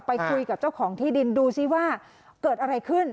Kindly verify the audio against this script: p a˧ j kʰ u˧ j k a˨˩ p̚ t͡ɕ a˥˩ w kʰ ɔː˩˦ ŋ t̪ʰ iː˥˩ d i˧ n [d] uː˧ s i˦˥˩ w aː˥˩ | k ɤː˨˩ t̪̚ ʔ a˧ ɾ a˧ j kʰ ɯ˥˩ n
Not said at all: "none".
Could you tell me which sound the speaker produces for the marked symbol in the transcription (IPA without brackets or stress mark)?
d